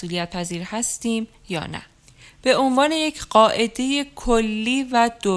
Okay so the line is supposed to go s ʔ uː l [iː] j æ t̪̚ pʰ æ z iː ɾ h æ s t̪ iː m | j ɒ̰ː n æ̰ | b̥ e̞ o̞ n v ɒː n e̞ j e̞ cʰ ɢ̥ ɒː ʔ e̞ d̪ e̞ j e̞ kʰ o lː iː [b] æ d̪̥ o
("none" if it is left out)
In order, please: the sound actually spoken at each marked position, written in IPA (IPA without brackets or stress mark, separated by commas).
i, v